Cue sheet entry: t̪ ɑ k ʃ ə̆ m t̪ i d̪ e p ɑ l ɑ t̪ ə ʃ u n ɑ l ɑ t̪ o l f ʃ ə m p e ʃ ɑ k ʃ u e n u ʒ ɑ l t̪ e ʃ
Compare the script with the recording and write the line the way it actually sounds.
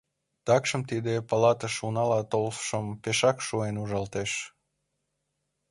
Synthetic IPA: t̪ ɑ k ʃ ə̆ m t̪ i d̪ e p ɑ l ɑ t̪ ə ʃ u n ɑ l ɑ t̪ o l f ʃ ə m p e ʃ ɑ k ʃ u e n u ʒ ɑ l t̪ e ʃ